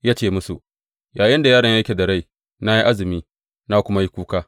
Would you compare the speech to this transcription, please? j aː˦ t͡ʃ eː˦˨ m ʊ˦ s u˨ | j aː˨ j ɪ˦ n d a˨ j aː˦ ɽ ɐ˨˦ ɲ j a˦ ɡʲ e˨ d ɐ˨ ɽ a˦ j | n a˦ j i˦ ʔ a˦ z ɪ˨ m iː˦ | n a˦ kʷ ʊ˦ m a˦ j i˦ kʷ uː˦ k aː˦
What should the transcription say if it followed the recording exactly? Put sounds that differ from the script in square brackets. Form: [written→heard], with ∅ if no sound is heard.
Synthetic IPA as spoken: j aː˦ t͡ʃ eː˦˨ m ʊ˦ s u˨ | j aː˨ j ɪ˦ n d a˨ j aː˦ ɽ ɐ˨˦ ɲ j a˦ [ɡʲ→kʲ] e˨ d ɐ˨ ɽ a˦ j | n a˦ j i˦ ʔ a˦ z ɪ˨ m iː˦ | n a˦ kʷ ʊ˦ m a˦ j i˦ kʷ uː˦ k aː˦